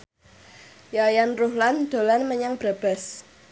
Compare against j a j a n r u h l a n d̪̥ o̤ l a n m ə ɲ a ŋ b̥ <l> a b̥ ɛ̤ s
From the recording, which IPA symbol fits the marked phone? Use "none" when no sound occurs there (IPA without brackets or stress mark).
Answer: ɾ